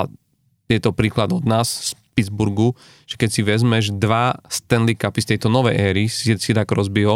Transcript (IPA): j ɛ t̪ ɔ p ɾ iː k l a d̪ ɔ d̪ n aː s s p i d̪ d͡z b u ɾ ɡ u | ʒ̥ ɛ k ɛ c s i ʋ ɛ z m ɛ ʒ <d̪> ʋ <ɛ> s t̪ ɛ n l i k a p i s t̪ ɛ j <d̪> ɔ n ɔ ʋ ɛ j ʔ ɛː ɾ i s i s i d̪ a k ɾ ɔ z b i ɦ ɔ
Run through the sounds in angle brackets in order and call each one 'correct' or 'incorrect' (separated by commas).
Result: correct, incorrect, incorrect